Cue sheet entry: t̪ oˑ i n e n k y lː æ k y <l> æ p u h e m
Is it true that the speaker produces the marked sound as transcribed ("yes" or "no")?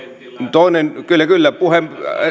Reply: no